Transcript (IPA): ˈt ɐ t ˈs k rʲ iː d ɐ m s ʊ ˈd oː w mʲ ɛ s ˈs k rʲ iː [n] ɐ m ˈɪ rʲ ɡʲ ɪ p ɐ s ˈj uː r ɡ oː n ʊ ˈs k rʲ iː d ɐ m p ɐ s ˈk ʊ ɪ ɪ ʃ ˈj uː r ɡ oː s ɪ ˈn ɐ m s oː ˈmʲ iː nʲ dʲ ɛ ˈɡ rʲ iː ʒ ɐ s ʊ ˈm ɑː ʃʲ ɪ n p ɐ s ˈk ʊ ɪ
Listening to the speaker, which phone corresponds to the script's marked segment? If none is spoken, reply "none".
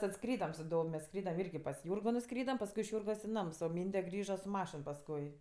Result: d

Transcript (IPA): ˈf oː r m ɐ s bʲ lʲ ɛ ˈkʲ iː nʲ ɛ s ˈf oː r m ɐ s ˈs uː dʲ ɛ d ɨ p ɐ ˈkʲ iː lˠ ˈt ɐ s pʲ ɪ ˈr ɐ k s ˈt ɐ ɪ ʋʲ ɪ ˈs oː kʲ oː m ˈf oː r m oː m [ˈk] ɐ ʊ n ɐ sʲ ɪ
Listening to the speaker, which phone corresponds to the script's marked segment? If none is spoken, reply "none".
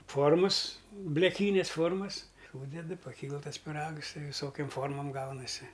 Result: ɡ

